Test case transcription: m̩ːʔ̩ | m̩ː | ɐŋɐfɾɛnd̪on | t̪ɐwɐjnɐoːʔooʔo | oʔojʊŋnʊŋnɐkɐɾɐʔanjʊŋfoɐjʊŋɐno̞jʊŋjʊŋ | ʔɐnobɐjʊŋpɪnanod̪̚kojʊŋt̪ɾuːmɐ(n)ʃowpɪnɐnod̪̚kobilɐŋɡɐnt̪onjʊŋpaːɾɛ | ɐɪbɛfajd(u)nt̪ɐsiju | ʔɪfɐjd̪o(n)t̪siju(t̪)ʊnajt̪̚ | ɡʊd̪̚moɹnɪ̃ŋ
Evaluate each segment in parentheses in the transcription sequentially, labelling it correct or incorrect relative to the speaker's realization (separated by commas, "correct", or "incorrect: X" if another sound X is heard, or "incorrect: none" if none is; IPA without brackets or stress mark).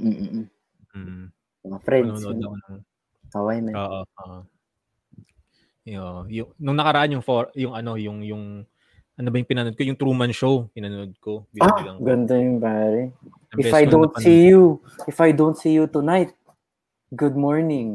correct, incorrect: o, correct, correct